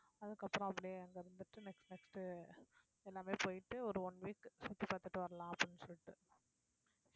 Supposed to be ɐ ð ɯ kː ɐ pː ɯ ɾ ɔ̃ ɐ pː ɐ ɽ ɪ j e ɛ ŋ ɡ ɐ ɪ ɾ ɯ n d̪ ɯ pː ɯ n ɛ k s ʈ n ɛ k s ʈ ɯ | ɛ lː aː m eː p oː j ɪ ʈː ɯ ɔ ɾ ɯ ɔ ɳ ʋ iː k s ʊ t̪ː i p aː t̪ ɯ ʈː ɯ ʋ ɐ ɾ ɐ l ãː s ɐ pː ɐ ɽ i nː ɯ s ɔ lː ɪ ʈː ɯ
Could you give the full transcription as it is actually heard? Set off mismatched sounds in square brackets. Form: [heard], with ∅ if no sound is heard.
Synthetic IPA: ɐ ð ɯ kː ɐ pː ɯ ɾ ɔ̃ ɐ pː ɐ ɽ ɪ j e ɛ ŋ ɡ ɐ ɪ ɾ ɯ n d̪ ɯ [ʈː] ɯ n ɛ k s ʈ n ɛ k s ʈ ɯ | ɛ lː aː m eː p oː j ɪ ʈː ɯ ɔ ɾ ɯ ɔ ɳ ʋ iː k s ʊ t̪ː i p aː t̪ ɯ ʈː ɯ ʋ ɐ ɾ ɐ l ãː [∅] ɐ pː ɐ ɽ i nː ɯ s ɔ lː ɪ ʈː ɯ

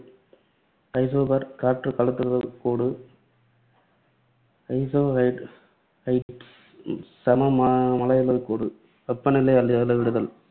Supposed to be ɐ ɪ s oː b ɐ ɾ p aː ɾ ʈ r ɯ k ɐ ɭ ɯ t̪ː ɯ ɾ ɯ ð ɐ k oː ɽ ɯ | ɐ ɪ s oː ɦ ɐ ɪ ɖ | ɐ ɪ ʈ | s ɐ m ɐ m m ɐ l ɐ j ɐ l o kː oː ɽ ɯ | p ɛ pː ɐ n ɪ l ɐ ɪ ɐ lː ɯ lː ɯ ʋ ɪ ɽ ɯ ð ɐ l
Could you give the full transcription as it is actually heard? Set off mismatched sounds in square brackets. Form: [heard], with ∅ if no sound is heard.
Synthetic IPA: ɐ ɪ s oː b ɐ ɾ [k] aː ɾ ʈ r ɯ k ɐ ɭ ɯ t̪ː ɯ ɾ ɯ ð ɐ k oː ɽ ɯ | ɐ ɪ s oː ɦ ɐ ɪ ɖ | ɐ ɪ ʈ | s ɐ m ɐ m m ɐ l ɐ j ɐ l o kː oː ɽ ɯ | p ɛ pː ɐ n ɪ l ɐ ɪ ɐ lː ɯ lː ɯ ʋ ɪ ɽ ɯ ð ɐ l

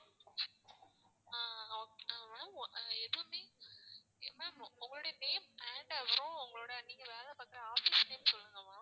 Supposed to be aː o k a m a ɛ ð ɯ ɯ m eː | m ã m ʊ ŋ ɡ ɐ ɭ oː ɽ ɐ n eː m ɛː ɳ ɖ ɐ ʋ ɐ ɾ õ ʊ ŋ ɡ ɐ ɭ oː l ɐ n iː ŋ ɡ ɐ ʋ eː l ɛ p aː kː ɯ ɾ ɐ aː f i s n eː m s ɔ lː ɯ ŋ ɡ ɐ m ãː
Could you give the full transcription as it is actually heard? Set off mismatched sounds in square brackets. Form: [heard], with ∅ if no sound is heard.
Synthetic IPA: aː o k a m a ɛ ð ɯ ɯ m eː | m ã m ʊ ŋ ɡ ɐ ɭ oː ɽ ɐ n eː m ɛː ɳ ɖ ɐ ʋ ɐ ɾ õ ʊ ŋ ɡ ɐ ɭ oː [ɽ] ɐ n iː ŋ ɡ ɐ ʋ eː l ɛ p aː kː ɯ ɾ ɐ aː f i s n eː m s ɔ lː ɯ ŋ ɡ ɐ m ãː

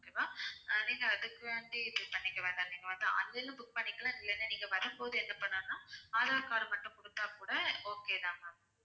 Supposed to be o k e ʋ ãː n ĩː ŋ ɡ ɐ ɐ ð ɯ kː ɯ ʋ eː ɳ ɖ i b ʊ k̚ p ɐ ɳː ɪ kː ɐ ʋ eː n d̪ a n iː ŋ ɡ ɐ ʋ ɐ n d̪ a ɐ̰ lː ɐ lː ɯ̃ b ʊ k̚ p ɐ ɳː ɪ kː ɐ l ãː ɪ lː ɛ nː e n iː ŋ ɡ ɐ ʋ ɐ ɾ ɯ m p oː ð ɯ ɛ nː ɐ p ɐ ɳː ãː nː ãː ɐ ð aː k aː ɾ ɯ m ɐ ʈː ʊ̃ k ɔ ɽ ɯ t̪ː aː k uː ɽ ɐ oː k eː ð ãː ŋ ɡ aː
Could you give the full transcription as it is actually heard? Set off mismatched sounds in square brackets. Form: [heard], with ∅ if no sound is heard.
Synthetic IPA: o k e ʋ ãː n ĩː ŋ ɡ ɐ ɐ ð ɯ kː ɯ ʋ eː ɳ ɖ i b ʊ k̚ p ɐ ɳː ɪ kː ɐ ʋ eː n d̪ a n iː ŋ ɡ ɐ ʋ ɐ n d̪ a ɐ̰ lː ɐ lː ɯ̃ b ʊ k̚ p ɐ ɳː ɪ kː ɐ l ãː ɪ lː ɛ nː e n iː ŋ ɡ ɐ ʋ ɐ ɾ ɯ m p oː ð ɯ ɛ nː ɐ p ɐ ɳː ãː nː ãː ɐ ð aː k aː ɾ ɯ m ɐ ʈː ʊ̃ k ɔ ɽ ɯ t̪ː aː k uː ɽ ɐ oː k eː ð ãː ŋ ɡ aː

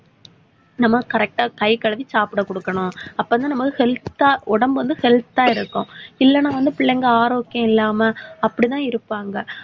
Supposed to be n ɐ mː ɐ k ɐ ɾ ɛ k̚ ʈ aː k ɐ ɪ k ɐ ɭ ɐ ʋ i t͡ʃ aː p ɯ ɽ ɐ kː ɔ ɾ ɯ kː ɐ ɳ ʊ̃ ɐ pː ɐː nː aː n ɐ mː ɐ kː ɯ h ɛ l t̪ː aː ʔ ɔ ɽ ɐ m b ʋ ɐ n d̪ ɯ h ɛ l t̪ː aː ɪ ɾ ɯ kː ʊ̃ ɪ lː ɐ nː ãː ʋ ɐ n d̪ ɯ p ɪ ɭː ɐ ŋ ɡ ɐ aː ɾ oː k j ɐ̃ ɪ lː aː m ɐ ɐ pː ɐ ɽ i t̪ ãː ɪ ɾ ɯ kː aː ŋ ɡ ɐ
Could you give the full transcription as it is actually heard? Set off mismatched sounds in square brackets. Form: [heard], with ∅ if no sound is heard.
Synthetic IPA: n ɐ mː ɐ k ɐ ɾ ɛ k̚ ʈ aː k ɐ ɪ k ɐ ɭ ɐ ʋ i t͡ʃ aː p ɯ ɽ ɐ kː ɔ [ɽ] ɯ kː ɐ ɳ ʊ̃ ɐ pː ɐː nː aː n ɐ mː ɐ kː ɯ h ɛ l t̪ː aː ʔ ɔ ɽ ɐ m b ʋ ɐ n d̪ ɯ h ɛ l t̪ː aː ɪ ɾ ɯ kː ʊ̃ ɪ lː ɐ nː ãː ʋ ɐ n d̪ ɯ p ɪ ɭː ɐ ŋ ɡ ɐ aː ɾ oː k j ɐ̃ ɪ lː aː m ɐ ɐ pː ɐ ɽ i t̪ ãː ɪ ɾ ɯ [pː] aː ŋ ɡ ɐ

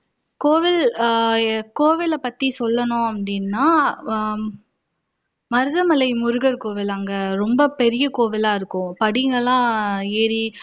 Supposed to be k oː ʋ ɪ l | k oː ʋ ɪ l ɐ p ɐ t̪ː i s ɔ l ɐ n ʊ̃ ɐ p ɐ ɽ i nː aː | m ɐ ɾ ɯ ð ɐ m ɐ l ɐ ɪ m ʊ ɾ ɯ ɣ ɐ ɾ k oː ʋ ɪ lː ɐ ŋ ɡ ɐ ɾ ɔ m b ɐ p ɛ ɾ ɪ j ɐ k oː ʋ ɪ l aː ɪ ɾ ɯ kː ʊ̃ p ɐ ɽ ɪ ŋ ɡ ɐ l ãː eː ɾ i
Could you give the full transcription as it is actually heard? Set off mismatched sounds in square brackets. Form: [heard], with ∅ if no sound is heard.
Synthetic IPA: k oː ʋ ɪ l | k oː ʋ ɪ l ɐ p ɐ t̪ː i s ɔ [lː] ɐ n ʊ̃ ɐ p ɐ ɽ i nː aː | m ɐ ɾ ɯ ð ɐ m ɐ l ɐ ɪ m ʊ ɾ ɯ ɣ ɐ ɾ k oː ʋ ɪ [l] ɐ ŋ ɡ ɐ ɾ ɔ m b ɐ p ɛ ɾ ɪ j ɐ k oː ʋ ɪ l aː ɪ ɾ ɯ kː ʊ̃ p ɐ ɽ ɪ ŋ ɡ ɐ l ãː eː ɾ i

